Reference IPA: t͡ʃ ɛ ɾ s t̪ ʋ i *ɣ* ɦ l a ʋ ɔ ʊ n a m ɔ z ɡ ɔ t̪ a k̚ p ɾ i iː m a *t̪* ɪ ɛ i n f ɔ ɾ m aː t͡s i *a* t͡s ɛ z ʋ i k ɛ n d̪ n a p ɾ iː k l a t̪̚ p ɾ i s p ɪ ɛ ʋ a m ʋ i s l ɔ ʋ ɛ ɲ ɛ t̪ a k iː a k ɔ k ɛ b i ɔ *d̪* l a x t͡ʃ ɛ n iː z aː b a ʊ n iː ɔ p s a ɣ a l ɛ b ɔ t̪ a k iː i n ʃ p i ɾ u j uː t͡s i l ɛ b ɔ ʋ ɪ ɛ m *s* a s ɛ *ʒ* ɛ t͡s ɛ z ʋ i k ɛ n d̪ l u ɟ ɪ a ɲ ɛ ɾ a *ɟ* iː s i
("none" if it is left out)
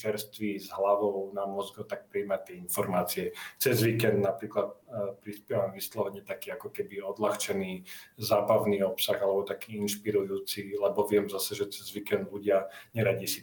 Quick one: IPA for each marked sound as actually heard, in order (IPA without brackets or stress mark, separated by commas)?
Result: z, t̪, ɛ, d̪, z, ʒ, ɟ